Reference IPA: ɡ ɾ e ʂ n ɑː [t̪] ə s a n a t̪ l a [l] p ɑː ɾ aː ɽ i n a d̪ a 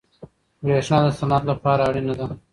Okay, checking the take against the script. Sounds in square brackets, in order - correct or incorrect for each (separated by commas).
incorrect, incorrect